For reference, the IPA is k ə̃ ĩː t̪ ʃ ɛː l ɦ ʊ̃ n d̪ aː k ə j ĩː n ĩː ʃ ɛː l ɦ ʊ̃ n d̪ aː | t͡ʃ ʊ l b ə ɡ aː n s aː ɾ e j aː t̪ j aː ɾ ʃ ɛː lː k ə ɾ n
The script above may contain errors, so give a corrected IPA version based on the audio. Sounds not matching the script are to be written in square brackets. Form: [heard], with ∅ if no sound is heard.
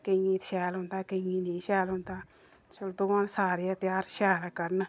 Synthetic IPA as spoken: k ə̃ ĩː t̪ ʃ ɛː l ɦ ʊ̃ n d̪ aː k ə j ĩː n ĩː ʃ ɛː l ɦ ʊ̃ n d̪ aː | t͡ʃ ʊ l b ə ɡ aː n s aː ɾ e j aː t̪ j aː ɾ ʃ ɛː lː k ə ɾ n